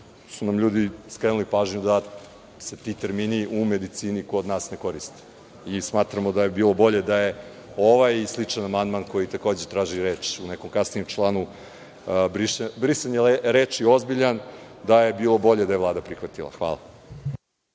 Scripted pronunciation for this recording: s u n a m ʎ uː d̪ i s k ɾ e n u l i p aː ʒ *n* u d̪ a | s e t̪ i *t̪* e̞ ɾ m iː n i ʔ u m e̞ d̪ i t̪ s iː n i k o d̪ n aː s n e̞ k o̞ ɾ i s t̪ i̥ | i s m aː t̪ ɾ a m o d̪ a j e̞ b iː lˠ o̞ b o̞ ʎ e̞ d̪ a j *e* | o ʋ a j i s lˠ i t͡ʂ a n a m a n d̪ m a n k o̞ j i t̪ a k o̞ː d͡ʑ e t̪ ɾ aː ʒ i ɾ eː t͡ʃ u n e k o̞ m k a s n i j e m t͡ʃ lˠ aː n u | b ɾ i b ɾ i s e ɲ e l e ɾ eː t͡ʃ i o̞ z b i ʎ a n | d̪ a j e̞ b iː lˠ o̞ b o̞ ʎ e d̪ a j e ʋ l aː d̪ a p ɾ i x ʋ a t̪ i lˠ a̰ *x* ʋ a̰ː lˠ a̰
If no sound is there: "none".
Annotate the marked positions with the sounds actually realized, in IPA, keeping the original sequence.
ɲ, t̪, e, x

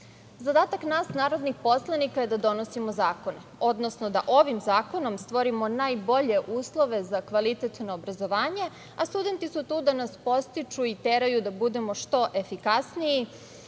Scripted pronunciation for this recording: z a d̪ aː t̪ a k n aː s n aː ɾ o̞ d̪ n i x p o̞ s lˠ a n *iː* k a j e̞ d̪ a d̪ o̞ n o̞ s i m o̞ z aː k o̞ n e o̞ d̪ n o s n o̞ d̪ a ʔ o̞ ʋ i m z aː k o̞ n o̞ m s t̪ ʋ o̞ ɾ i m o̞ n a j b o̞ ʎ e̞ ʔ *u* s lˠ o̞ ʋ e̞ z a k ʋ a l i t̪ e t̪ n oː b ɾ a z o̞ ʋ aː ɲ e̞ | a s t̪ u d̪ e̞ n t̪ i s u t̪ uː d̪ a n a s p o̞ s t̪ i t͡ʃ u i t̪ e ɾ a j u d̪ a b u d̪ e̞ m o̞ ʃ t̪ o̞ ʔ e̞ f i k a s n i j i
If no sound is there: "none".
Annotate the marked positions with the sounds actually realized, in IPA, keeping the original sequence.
i, uː

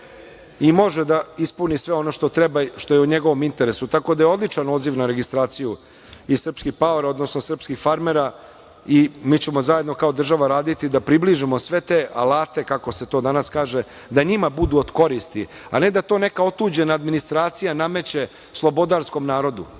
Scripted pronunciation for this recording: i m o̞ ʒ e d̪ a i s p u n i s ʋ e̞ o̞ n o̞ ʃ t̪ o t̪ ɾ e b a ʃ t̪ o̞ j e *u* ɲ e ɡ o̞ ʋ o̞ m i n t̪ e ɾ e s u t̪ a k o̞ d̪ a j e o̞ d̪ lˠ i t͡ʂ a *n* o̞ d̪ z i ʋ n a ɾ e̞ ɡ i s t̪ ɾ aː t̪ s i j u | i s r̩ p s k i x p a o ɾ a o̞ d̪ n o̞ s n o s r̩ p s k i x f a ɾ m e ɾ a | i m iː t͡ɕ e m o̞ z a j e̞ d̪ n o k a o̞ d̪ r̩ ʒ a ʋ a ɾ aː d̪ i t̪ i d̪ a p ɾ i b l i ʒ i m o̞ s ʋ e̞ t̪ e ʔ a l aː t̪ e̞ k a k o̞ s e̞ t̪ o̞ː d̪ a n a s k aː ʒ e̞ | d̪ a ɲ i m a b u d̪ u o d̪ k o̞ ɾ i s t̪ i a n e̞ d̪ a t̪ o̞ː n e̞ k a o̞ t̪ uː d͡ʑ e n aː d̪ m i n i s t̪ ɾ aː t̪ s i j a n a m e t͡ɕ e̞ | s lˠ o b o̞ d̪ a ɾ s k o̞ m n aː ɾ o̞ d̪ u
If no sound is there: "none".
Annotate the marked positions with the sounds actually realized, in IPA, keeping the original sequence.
u, n

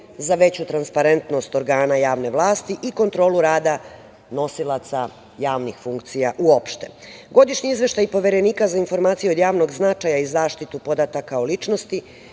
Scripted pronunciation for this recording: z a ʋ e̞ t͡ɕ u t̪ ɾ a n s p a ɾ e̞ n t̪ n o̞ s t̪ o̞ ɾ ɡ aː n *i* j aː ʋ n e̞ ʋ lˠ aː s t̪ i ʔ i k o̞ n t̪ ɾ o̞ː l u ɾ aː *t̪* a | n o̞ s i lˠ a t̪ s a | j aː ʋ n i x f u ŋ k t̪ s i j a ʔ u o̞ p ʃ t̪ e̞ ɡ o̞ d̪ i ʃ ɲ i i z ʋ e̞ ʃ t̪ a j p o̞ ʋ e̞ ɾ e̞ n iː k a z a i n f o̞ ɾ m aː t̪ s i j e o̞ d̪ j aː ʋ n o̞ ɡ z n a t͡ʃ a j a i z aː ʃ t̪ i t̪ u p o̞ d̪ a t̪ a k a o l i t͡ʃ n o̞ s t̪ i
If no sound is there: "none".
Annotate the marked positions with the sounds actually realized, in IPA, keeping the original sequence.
a, d̪

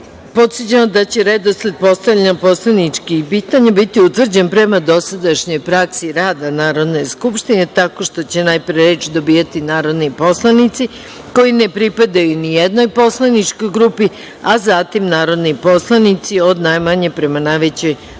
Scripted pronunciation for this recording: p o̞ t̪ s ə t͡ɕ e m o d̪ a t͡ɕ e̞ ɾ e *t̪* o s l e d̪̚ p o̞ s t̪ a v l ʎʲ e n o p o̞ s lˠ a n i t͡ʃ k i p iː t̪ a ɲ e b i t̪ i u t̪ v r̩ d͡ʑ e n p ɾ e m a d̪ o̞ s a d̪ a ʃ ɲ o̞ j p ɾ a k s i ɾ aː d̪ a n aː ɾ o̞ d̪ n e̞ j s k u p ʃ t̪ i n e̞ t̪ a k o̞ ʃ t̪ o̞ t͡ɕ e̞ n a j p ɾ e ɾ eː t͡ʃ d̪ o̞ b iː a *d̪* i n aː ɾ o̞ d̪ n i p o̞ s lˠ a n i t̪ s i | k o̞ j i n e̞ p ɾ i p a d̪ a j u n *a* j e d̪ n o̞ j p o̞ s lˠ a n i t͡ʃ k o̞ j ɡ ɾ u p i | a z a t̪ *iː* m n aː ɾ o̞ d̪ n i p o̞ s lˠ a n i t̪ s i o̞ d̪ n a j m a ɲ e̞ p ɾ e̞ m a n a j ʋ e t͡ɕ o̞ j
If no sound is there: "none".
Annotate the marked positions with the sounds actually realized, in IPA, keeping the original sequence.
d̪, t̪, i, i

